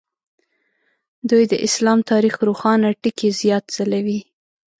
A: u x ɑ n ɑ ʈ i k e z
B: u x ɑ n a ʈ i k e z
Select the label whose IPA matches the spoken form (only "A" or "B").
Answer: B